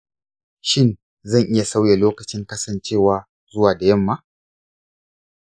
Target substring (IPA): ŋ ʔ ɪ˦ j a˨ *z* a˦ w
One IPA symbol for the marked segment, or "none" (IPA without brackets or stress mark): s